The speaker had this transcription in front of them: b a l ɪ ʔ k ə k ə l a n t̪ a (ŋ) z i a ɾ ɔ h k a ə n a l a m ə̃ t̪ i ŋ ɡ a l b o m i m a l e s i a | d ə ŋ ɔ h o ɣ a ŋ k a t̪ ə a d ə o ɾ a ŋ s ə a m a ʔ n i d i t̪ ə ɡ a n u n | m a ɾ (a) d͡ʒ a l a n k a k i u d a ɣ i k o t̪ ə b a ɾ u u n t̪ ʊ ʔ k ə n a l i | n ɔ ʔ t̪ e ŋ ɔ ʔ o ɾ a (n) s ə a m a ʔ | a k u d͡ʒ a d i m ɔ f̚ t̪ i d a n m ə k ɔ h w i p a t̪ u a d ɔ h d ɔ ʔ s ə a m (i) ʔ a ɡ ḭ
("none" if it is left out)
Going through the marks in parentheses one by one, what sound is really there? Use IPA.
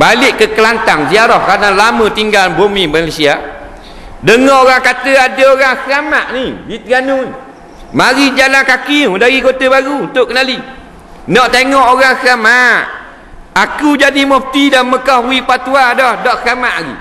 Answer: ŋ, i, ŋ, a

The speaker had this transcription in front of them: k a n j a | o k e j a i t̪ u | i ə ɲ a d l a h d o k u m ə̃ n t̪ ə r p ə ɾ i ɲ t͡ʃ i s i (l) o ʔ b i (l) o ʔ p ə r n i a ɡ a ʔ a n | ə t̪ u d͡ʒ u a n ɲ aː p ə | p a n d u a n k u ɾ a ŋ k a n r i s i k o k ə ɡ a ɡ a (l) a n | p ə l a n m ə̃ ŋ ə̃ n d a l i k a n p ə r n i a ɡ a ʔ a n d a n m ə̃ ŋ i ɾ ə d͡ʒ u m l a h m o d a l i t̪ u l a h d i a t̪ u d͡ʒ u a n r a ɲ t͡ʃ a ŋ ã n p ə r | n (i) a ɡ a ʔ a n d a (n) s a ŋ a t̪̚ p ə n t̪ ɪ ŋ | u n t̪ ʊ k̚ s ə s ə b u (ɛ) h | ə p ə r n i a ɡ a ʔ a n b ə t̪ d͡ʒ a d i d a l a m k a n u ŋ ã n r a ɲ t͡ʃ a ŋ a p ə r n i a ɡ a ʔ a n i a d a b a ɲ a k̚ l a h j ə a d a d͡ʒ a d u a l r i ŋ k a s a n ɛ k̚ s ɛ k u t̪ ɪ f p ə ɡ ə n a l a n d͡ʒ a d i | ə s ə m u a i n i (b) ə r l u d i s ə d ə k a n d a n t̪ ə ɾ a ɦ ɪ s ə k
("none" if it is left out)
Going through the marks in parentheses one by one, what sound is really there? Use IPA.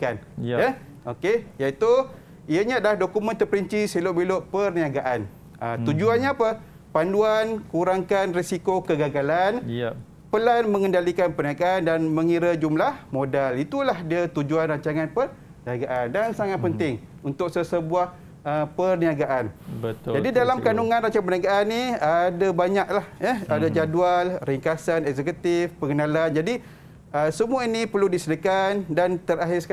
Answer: l, l, l, i, n, a, p

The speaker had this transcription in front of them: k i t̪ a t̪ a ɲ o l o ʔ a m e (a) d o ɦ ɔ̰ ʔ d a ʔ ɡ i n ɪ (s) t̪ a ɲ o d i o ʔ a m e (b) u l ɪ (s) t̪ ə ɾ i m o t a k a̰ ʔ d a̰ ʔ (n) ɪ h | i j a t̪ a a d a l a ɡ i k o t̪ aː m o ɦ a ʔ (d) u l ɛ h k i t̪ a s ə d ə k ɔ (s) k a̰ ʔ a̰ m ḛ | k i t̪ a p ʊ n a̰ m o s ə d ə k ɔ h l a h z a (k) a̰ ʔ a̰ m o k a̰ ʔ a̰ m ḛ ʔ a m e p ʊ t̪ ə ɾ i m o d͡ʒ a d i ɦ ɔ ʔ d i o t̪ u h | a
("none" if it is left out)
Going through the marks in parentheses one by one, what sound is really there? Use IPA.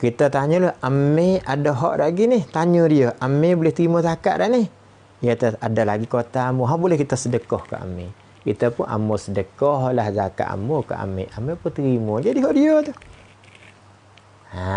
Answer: a, h, b, h, n, b, h, k

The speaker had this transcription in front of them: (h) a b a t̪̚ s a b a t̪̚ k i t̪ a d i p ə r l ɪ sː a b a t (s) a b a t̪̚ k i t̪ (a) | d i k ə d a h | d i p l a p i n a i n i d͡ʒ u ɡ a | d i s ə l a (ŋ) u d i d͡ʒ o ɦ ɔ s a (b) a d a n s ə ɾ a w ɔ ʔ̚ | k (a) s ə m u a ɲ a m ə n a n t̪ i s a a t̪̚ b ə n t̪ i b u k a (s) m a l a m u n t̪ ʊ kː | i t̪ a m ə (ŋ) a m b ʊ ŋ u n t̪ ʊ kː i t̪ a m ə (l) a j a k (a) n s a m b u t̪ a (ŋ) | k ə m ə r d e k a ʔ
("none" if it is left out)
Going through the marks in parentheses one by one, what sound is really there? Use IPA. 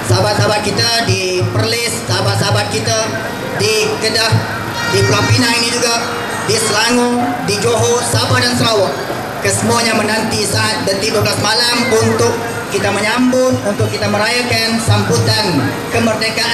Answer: s, s, a, ŋ, b, ə, s, ɲ, ɾ, a, n

